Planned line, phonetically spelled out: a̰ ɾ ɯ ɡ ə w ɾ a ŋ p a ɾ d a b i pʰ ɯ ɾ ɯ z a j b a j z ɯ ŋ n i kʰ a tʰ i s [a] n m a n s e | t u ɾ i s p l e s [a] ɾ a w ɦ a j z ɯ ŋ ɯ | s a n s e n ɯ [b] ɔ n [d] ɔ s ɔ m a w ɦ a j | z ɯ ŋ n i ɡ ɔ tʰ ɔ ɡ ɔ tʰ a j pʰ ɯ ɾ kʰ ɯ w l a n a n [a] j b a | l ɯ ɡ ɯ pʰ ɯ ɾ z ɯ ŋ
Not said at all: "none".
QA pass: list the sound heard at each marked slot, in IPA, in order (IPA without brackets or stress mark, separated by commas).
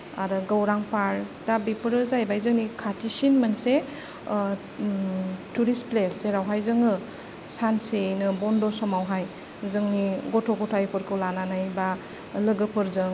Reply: i, e, b, d, a